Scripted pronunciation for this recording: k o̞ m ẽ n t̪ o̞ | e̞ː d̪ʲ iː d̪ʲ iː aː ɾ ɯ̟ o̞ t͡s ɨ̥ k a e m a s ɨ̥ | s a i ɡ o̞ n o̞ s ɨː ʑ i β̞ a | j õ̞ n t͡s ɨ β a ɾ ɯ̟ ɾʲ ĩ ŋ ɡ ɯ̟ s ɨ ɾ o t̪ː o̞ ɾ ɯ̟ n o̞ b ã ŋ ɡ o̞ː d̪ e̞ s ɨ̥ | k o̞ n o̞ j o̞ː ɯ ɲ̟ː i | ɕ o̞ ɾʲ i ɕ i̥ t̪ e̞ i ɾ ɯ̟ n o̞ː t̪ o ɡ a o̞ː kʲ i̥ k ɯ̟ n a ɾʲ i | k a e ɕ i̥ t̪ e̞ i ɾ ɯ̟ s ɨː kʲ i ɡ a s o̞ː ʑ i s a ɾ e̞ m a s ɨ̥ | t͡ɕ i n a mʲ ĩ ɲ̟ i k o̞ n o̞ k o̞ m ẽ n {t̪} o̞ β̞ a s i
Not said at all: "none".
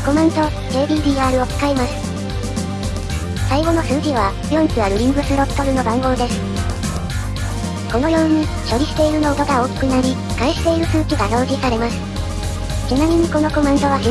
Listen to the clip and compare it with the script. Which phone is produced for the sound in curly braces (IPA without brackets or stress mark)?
t̪